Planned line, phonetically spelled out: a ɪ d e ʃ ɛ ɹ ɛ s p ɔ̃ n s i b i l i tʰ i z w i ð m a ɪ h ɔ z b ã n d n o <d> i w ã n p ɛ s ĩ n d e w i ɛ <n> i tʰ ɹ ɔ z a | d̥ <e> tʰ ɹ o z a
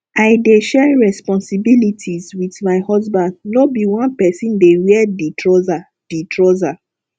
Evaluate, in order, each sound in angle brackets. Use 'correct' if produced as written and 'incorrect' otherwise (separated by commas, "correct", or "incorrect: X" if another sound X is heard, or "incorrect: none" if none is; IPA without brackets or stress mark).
incorrect: b, incorrect: d, incorrect: i